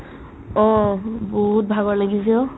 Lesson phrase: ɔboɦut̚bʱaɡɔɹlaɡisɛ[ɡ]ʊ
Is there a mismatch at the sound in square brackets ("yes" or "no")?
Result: yes